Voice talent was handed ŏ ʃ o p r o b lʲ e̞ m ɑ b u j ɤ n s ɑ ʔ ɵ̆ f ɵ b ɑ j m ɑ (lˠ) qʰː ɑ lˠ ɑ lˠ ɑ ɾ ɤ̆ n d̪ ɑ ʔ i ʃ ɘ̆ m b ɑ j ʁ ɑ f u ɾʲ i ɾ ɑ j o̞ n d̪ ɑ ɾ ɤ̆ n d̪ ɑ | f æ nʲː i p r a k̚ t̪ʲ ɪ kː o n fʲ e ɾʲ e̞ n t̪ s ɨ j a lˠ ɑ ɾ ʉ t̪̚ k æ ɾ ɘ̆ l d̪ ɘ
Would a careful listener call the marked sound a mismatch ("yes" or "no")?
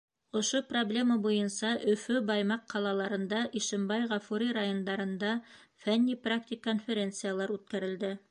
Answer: yes